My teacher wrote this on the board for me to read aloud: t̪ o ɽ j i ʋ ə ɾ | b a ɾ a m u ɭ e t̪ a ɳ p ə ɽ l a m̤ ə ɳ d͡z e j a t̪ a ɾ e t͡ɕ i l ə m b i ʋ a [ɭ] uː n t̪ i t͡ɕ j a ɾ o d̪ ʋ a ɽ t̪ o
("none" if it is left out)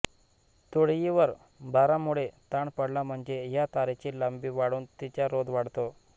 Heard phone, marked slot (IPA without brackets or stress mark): ɽ